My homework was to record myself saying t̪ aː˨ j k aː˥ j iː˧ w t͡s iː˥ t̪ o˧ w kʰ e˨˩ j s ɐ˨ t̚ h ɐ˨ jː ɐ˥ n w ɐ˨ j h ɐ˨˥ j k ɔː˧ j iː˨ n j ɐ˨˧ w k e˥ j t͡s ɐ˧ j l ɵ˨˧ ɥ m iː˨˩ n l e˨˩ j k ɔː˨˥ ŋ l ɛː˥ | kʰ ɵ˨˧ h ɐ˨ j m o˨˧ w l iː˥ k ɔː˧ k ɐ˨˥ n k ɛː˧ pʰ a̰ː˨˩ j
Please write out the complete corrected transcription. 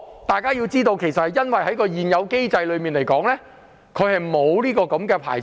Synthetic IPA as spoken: t̪ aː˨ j k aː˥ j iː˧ w t͡s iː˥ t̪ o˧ w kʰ e˨˩ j s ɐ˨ t̚ h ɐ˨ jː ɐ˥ n w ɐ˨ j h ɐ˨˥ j k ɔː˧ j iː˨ n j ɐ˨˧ w k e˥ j t͡s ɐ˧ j l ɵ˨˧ ɥ m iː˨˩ n l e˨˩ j k ɔː˨˥ ŋ l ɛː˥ | kʰ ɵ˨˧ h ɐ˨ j m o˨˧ w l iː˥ k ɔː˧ k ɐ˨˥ m k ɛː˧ pʰ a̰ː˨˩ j